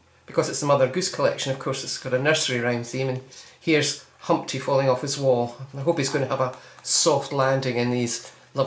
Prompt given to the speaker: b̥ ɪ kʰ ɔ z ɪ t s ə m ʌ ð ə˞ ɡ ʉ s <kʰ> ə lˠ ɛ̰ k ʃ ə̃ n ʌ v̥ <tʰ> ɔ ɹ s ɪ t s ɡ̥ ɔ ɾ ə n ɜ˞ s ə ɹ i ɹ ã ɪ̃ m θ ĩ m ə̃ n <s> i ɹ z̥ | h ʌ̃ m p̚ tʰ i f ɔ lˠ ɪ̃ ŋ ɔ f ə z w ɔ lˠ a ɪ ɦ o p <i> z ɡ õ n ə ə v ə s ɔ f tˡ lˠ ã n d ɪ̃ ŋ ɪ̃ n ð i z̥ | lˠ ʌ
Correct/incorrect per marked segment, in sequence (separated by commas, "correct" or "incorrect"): correct, incorrect, incorrect, correct